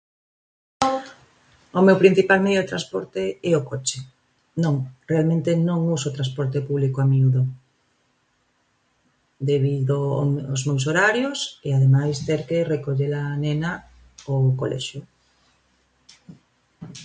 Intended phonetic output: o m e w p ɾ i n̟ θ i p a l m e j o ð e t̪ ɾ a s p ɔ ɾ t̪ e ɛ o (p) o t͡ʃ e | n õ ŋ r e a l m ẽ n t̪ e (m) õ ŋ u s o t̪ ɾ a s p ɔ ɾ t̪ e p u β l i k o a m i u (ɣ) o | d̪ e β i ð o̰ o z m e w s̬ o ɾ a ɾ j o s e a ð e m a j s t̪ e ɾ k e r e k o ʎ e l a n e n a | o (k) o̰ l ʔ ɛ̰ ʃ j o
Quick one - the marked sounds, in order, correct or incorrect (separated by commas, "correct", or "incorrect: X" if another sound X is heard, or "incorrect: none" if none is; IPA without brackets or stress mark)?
incorrect: k, incorrect: n, incorrect: ð, correct